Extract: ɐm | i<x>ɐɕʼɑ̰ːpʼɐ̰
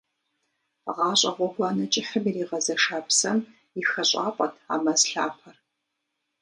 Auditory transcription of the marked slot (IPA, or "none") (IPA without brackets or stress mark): x